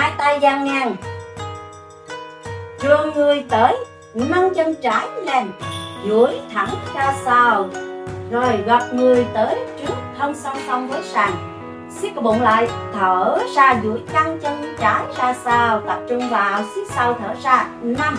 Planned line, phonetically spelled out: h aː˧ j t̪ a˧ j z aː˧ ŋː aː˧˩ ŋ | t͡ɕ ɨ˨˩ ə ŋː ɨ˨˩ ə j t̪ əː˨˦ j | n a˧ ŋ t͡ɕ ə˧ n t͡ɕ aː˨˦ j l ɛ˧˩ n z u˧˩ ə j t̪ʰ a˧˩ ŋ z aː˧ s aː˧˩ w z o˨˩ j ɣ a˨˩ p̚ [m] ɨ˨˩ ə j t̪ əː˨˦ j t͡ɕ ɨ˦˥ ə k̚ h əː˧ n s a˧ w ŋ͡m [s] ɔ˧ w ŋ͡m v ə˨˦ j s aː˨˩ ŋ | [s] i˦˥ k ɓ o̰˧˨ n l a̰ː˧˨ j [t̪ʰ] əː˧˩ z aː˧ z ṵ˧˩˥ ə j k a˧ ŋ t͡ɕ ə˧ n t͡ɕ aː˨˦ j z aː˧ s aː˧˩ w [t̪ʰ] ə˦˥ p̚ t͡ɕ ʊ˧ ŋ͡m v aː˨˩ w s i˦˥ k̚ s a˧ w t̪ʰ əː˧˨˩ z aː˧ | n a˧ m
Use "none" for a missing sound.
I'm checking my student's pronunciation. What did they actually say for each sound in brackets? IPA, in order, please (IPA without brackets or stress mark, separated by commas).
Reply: ŋ, s, s, t̪ʰ, t̪